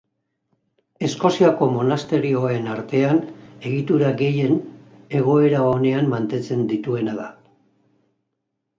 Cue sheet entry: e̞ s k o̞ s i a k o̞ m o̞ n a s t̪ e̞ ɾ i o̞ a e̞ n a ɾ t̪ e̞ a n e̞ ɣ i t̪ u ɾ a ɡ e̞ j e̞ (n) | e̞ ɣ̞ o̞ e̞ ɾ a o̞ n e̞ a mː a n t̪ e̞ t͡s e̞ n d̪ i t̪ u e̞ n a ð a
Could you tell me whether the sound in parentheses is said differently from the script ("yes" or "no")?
no